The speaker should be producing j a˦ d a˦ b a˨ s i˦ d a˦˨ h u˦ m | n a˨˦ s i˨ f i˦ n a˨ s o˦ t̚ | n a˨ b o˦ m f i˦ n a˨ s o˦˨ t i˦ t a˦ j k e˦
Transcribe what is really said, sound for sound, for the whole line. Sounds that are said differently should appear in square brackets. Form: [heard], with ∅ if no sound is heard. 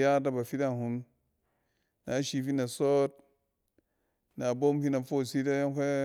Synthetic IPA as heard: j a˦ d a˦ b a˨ [f] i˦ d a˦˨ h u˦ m | n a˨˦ [ʃ] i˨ f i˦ n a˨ s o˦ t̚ | n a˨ b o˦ m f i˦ n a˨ [f] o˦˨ [s] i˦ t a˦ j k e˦